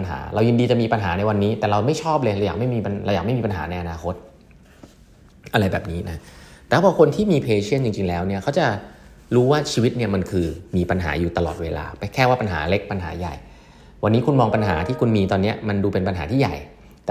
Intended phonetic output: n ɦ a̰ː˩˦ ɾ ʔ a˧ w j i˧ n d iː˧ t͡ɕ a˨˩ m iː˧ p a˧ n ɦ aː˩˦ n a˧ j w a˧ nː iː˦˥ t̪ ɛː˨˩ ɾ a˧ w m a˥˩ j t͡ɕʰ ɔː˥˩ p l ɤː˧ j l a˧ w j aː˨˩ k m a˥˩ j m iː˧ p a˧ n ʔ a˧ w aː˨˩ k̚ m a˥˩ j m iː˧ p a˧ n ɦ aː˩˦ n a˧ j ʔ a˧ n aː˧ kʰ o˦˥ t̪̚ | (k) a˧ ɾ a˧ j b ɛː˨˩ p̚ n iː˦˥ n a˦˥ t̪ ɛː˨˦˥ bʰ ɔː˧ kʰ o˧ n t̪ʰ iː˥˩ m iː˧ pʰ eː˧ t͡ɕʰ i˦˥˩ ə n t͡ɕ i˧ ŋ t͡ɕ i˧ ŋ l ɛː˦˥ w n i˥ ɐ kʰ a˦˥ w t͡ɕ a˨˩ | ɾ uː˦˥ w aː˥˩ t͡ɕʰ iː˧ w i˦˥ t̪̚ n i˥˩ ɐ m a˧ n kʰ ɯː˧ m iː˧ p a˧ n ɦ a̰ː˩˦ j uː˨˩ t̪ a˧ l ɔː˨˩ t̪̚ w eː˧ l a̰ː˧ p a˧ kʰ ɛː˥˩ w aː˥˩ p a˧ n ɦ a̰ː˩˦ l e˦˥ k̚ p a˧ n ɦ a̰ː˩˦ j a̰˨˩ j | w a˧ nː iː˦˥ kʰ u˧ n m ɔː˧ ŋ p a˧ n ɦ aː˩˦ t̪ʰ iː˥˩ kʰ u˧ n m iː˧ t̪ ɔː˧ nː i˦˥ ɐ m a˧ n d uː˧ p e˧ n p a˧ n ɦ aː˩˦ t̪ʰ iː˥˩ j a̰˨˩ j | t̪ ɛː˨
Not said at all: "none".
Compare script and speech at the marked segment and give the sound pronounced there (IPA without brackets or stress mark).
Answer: ʔ